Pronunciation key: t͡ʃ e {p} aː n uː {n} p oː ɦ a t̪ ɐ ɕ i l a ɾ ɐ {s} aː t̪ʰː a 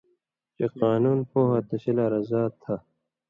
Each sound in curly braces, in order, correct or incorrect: incorrect, correct, incorrect

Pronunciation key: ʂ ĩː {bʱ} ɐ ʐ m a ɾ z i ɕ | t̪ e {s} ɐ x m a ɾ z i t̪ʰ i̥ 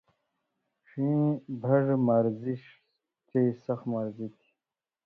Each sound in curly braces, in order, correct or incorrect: correct, correct

